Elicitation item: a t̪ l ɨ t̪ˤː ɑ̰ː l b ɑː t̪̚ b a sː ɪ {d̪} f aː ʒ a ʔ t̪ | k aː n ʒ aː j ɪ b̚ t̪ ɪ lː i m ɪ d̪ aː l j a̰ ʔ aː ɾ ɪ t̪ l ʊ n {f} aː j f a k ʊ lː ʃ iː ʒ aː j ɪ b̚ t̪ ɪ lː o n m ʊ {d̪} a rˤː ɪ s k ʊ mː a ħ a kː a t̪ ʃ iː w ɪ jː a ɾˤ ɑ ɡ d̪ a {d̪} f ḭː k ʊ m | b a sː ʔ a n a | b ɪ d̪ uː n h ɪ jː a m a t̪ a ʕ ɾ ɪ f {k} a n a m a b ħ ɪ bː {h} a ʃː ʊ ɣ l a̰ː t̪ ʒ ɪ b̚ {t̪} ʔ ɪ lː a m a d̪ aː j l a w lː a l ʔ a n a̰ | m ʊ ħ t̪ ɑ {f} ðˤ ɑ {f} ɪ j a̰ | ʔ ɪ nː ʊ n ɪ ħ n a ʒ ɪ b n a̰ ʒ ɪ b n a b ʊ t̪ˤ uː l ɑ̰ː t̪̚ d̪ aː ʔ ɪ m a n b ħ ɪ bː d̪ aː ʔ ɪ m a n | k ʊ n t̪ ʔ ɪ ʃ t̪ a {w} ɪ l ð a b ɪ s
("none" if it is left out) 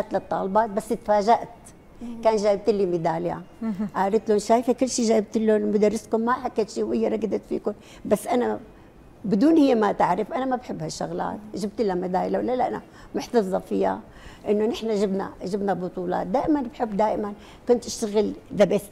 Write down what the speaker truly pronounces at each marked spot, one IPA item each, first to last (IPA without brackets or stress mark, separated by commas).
t̪, ʃ, d̪, t̪, ʔ, h, t̪, f, f, ɣ